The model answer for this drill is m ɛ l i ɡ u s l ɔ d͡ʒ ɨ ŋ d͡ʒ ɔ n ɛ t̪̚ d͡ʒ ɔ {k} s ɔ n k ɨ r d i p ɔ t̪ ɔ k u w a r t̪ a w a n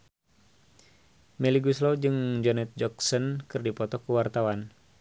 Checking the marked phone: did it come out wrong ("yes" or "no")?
no